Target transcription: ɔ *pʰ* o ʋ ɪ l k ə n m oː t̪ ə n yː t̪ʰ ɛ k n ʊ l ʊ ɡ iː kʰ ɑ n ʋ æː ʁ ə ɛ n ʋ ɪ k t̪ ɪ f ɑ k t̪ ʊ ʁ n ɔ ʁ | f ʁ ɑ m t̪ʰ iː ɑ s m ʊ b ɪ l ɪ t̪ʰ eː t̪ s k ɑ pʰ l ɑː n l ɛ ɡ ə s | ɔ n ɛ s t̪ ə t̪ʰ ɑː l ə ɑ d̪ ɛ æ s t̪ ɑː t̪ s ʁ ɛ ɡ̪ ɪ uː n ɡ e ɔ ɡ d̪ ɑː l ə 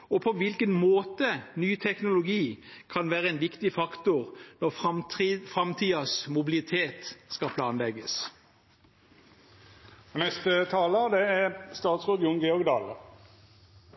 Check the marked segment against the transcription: correct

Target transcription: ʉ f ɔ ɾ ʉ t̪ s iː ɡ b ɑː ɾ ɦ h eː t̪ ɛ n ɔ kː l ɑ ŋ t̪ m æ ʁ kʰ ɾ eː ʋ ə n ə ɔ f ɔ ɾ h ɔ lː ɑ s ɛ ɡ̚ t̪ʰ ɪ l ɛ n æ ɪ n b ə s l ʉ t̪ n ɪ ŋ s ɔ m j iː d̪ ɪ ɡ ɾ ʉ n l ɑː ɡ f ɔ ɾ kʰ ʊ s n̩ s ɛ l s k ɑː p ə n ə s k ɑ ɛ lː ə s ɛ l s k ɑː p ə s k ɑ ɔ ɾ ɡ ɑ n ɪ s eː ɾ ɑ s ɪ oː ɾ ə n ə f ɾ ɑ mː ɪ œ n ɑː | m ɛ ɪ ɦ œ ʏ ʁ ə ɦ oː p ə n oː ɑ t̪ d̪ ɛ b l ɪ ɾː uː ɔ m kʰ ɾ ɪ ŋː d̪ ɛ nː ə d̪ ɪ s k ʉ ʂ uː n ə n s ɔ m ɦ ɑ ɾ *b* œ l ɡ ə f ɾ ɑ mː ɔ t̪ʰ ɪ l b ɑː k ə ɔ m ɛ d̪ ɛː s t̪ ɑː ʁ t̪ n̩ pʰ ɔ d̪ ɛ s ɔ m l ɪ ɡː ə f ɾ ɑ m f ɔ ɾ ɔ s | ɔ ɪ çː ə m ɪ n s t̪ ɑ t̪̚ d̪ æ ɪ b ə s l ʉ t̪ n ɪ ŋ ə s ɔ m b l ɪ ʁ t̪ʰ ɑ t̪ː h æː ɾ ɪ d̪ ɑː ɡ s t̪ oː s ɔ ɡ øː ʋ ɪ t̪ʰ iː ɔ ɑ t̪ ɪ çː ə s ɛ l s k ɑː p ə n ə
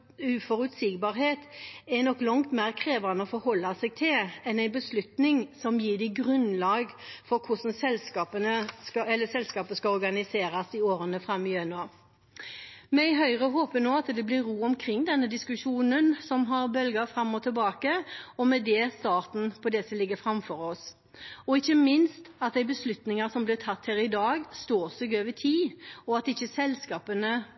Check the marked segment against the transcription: correct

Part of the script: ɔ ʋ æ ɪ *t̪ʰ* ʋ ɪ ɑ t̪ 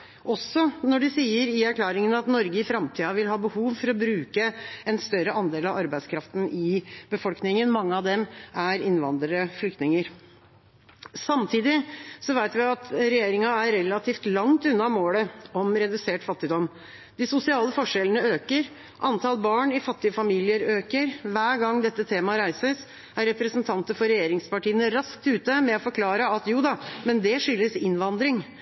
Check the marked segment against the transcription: incorrect: t̪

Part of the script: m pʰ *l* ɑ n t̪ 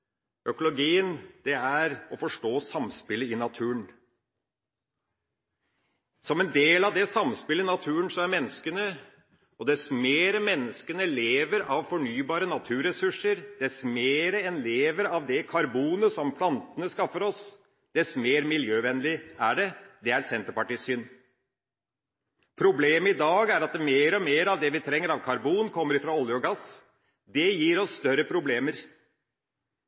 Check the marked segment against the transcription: correct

